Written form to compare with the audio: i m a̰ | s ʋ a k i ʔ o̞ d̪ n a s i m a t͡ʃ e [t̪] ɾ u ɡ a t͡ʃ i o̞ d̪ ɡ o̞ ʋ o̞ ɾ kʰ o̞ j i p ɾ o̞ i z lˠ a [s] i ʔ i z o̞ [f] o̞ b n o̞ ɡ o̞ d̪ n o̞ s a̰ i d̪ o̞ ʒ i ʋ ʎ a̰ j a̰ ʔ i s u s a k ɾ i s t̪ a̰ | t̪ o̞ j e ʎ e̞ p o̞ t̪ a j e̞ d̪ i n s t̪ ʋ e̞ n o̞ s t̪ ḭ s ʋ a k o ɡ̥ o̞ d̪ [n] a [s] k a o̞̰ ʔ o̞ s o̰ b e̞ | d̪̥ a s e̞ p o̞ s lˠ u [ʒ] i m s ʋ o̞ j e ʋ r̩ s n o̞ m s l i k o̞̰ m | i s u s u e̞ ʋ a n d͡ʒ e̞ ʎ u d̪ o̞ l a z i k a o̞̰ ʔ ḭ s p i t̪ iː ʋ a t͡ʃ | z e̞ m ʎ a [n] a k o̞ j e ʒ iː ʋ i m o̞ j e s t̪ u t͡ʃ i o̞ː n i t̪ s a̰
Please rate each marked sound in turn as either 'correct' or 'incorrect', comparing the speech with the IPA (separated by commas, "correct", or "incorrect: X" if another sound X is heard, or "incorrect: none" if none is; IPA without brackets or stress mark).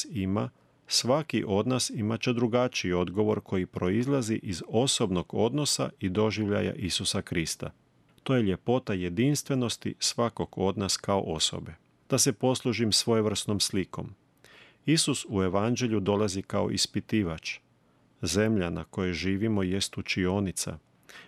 incorrect: d̪, incorrect: z, incorrect: s, correct, correct, correct, correct